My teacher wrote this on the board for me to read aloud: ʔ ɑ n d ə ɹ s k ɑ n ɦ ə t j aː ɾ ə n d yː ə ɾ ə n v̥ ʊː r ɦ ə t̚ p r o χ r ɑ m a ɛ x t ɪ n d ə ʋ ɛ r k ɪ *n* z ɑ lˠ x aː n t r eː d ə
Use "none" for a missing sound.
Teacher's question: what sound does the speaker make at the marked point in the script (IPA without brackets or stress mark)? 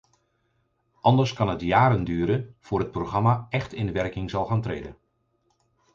ŋ